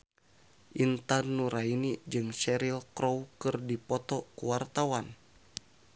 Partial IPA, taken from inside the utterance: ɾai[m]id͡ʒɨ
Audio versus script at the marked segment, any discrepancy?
yes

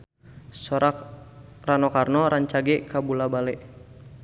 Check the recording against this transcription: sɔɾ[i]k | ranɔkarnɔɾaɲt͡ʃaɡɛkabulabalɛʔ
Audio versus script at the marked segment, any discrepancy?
yes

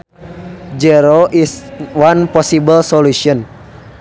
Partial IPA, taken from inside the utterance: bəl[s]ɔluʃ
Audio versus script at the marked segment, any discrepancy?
no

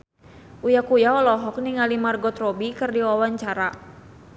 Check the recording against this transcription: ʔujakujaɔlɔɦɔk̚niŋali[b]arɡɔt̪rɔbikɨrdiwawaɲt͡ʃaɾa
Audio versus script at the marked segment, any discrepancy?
yes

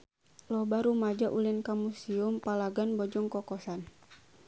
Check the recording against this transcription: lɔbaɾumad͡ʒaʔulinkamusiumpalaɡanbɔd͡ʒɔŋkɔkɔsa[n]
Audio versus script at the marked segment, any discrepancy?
no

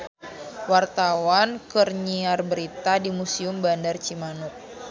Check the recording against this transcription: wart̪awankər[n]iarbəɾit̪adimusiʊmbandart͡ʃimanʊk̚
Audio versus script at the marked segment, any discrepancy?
yes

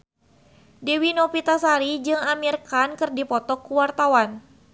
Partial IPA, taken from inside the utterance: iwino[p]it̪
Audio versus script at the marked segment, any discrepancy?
no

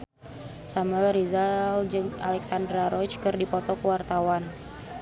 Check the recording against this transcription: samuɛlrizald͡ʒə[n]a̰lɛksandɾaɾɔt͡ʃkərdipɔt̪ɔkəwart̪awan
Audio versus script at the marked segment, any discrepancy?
yes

